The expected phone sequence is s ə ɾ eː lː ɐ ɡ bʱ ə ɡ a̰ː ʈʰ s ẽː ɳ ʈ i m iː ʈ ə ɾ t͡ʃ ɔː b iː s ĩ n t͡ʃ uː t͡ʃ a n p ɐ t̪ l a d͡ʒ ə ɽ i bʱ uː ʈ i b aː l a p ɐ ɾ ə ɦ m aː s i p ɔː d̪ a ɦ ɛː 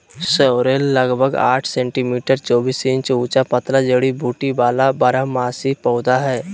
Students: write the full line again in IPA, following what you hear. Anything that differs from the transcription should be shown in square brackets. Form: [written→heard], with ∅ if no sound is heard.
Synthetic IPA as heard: s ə ɾ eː lː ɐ ɡ bʱ ə ɡ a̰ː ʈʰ s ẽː ɳ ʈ i m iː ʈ ə ɾ t͡ʃ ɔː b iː s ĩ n t͡ʃ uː t͡ʃ a [n→∅] p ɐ t̪ l a d͡ʒ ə ɽ i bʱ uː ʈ i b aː l a [p→b] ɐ ɾ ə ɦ m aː s i p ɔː d̪ a ɦ ɛː